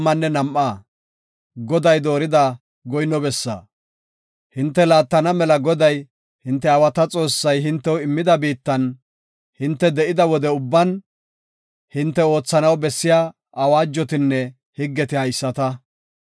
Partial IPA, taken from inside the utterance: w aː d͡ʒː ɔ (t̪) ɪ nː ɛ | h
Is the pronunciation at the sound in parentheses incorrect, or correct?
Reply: correct